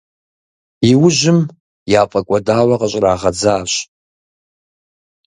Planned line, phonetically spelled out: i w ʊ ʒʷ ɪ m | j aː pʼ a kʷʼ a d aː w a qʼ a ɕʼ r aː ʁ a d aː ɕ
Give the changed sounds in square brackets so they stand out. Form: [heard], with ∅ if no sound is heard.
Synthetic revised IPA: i w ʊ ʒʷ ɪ m | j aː pʼ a kʷʼ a d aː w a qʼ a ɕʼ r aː ʁ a [d͡z] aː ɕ